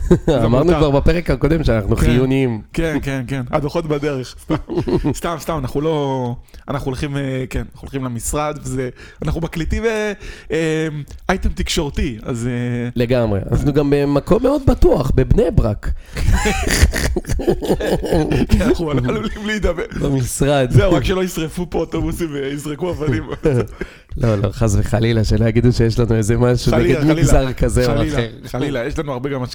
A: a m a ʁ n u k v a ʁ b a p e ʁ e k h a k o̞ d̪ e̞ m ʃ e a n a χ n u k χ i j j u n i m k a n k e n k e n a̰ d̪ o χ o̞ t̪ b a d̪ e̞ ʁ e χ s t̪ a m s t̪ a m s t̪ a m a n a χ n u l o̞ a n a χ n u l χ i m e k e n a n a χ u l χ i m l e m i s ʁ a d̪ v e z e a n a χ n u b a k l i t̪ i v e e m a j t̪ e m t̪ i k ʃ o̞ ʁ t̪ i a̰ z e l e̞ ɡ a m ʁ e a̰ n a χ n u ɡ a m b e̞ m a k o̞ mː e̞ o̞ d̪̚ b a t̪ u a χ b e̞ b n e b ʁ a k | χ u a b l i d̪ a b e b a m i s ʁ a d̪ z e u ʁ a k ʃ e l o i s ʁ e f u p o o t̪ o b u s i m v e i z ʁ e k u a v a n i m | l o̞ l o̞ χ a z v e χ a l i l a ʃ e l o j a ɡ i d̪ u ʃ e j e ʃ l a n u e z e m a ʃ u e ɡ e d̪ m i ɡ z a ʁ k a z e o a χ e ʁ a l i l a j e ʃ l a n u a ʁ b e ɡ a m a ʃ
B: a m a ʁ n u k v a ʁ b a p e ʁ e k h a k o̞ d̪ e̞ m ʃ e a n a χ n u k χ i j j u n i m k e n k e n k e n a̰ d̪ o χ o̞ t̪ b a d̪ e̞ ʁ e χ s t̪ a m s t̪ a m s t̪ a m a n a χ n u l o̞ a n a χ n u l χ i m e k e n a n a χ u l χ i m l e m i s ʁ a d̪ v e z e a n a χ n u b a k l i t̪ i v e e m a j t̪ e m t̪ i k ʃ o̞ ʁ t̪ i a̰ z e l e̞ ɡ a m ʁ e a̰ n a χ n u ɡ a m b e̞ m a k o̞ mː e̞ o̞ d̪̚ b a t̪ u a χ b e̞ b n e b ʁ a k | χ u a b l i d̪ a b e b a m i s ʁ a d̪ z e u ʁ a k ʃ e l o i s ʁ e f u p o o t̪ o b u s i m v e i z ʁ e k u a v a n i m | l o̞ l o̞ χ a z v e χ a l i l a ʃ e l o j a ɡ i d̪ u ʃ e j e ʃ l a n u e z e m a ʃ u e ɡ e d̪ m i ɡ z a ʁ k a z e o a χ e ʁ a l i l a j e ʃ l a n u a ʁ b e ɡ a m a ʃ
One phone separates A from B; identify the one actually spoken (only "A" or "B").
B